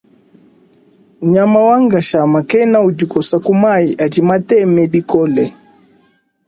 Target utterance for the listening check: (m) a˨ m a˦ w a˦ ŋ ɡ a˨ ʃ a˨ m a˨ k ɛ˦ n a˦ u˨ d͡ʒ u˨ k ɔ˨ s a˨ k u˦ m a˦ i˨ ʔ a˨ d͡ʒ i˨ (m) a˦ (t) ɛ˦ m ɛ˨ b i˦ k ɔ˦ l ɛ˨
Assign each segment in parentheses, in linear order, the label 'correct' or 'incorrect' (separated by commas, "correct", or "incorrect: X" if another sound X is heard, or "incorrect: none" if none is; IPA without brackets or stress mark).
incorrect: ɲ, correct, correct